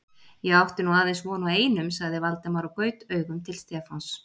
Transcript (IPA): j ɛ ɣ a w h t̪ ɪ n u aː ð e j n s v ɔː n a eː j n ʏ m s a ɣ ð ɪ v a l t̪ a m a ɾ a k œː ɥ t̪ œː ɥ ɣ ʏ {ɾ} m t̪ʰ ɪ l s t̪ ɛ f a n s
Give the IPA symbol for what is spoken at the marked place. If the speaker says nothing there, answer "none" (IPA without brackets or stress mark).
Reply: none